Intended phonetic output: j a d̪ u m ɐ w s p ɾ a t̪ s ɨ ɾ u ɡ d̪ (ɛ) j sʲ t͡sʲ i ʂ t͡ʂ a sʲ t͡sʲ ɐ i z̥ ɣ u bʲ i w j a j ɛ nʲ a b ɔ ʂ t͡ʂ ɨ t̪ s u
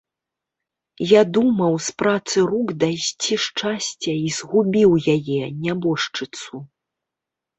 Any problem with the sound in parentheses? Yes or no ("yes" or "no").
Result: yes